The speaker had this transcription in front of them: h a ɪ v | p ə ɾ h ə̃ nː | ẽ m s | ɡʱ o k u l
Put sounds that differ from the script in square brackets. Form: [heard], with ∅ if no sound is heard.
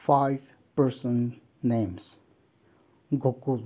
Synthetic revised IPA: [f] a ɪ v | p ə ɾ [s] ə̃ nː | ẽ m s | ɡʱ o k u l